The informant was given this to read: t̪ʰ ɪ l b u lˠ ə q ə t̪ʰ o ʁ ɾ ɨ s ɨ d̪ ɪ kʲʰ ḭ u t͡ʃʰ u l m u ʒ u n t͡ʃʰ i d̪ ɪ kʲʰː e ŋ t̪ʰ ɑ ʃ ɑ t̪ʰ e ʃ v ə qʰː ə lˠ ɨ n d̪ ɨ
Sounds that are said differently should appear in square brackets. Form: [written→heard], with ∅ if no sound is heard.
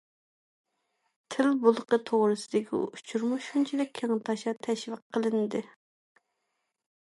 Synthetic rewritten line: t̪ʰ ɪ l b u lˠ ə q ə t̪ʰ o ʁ ɾ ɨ s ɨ d̪ ɪ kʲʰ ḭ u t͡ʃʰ u [l→ɾ] m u [ʒ→ʃ] u n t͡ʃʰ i d̪ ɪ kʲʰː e ŋ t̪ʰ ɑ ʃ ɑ t̪ʰ [e→ɛ] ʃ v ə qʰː ə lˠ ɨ n d̪ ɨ